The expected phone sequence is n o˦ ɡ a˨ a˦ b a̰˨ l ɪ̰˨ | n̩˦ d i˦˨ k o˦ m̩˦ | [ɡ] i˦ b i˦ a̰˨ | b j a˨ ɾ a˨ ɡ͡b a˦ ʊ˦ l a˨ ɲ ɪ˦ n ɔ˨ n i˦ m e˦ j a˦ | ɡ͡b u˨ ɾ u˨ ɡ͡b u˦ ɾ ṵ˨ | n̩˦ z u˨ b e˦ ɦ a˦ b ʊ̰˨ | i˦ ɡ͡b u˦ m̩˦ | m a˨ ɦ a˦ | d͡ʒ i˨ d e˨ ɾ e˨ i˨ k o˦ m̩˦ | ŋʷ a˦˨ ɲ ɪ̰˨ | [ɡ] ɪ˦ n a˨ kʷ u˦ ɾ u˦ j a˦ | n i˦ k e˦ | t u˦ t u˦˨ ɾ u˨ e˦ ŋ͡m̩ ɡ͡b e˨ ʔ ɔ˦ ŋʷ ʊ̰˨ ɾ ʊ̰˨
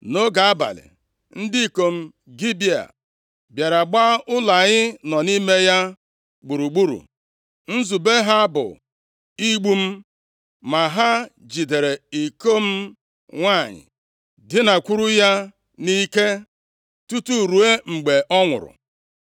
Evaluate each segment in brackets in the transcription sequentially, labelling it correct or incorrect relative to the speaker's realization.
correct, incorrect: d

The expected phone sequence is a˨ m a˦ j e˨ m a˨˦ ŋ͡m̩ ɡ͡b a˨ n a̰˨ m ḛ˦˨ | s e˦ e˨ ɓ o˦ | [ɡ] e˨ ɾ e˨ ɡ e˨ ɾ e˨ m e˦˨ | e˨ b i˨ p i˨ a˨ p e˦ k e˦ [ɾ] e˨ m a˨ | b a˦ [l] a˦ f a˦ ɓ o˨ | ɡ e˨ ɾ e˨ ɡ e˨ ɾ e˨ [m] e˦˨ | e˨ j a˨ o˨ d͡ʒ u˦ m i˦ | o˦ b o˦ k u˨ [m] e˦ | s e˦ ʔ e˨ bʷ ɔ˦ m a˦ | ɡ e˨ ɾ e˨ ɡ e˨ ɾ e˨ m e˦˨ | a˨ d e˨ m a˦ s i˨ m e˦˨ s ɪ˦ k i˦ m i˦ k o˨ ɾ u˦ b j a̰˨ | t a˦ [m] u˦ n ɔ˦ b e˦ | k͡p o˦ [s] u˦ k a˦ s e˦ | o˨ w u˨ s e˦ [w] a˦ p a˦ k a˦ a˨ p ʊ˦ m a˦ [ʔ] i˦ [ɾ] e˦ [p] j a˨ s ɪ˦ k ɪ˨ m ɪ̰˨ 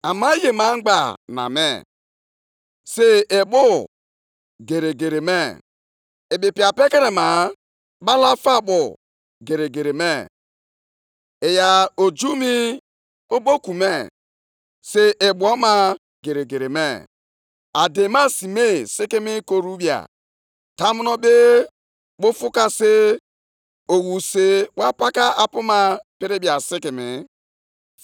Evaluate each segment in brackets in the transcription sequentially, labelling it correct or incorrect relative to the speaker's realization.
correct, correct, correct, correct, correct, correct, incorrect: f, correct, incorrect: p, correct, incorrect: b

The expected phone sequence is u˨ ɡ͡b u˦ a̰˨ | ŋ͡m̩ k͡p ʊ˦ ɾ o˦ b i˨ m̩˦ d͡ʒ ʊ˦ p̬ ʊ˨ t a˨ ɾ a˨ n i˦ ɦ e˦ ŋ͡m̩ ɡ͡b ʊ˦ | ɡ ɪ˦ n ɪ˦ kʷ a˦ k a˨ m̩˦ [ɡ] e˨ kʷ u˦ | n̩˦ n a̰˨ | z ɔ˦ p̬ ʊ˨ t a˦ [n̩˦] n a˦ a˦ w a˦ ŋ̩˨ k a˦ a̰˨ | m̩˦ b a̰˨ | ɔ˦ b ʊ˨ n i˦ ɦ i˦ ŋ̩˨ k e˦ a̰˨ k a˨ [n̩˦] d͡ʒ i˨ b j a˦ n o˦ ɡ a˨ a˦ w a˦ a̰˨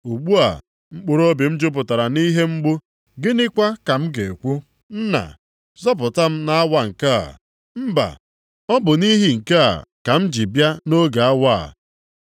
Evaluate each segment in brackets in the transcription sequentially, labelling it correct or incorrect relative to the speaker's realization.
correct, incorrect: m̩˦, incorrect: m̩˦

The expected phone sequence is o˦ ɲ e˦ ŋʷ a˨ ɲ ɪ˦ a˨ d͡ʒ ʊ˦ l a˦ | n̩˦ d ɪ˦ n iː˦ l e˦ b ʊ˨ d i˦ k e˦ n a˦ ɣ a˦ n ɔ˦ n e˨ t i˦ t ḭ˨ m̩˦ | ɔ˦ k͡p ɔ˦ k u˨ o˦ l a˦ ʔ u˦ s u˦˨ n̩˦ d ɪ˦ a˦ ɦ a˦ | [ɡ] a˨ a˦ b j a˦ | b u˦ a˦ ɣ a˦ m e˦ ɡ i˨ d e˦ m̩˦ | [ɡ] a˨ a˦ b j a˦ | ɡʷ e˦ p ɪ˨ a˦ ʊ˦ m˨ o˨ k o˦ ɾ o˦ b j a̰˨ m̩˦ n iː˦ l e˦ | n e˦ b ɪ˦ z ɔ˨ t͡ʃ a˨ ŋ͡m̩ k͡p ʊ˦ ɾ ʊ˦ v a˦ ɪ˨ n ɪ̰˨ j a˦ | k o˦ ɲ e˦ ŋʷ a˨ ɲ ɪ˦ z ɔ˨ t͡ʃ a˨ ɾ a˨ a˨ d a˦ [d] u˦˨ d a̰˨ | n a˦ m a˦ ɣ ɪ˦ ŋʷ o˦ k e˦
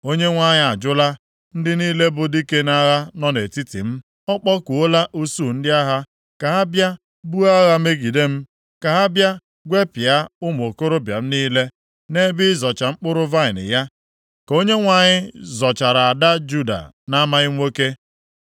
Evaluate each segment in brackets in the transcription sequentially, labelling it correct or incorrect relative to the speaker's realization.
incorrect: k, incorrect: k, incorrect: d͡ʒ

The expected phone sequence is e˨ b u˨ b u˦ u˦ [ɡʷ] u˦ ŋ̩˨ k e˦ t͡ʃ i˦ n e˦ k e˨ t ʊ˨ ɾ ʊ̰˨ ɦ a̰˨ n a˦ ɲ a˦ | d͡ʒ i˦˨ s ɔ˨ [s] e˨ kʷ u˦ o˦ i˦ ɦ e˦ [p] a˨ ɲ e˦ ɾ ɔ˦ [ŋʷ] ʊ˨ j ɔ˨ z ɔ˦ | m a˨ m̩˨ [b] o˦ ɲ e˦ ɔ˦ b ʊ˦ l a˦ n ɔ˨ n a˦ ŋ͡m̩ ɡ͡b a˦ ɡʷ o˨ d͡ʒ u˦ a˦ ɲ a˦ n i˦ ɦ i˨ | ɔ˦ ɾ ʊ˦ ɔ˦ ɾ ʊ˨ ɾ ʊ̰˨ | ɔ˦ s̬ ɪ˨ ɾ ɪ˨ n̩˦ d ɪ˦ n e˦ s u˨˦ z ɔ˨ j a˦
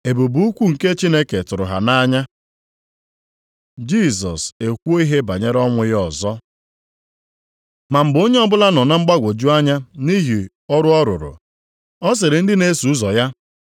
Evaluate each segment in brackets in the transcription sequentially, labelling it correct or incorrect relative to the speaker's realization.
incorrect: kʷ, correct, incorrect: b, correct, correct

